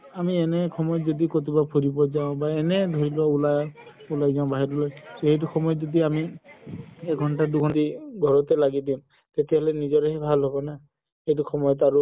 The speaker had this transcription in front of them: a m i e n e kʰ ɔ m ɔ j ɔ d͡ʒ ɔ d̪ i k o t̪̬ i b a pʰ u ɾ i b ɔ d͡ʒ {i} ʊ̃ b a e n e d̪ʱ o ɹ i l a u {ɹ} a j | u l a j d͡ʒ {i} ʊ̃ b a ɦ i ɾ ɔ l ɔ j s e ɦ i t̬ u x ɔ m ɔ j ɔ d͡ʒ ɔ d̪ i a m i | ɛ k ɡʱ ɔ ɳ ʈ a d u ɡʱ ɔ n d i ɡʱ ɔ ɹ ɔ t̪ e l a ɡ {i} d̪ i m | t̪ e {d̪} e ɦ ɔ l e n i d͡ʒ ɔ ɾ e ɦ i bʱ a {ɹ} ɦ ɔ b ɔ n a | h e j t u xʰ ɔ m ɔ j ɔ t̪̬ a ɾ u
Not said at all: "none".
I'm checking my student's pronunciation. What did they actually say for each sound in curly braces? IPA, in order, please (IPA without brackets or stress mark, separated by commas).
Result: a, l, a, i, t̪, l